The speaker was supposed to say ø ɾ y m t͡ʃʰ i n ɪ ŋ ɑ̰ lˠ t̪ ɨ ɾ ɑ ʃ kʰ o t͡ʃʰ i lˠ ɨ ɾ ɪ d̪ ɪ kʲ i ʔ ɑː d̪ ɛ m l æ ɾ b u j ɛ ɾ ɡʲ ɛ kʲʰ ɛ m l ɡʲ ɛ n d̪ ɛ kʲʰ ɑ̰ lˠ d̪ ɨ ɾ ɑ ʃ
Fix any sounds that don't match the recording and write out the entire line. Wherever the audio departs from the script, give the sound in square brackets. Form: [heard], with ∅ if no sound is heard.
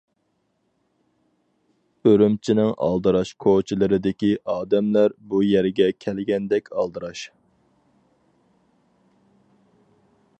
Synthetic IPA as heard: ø ɾ y m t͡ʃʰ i n ɪ ŋ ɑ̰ lˠ [d̪] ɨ ɾ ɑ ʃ kʰ o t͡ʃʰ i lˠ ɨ ɾ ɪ d̪ ɪ kʲ i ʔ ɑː d̪ ɛ m l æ ɾ b u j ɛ ɾ ɡʲ ɛ kʲʰ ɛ [∅] l ɡʲ ɛ n d̪ ɛ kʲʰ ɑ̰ lˠ d̪ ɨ ɾ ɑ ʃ